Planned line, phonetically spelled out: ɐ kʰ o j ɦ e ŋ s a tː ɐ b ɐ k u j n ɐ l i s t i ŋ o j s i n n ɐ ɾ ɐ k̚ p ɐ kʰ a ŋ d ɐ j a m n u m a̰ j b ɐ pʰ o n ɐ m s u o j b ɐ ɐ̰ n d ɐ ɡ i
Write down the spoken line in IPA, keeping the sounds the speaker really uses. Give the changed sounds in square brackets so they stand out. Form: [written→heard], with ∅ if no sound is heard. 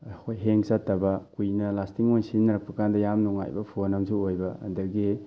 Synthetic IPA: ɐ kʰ o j ɦ e ŋ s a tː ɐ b ɐ k u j n ɐ l [i→a] s t i ŋ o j s i n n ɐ ɾ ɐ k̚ p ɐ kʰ a [ŋ→n] d ɐ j a m n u [m→ŋ] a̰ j b ɐ pʰ o n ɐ m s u o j b ɐ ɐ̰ n d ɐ ɡ i